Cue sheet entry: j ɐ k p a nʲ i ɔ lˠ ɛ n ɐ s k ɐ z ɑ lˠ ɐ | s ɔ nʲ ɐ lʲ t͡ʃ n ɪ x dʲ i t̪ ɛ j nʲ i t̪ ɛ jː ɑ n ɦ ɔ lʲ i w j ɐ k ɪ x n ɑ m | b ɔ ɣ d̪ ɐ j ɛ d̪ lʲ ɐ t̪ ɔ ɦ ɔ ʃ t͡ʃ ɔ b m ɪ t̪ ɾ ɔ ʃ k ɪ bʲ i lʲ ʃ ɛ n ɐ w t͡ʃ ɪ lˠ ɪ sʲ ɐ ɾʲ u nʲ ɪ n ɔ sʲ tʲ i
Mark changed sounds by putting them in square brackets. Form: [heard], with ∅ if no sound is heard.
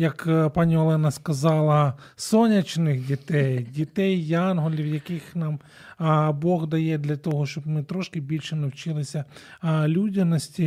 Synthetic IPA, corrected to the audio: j ɐ k p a nʲ i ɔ lˠ ɛ n ɐ s k ɐ z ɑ lˠ ɐ | s ɔ nʲ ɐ [∅] t͡ʃ n ɪ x dʲ i t̪ ɛ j [dʲ] i t̪ ɛ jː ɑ n ɦ ɔ lʲ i w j ɐ k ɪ x n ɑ m | b ɔ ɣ d̪ ɐ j ɛ d̪ lʲ ɐ t̪ ɔ ɦ ɔ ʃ t͡ʃ ɔ b m ɪ t̪ ɾ ɔ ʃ k ɪ bʲ i lʲ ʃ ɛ n ɐ w t͡ʃ ɪ lˠ ɪ sʲ ɐ [lʲ] u [dʲ] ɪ n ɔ sʲ tʲ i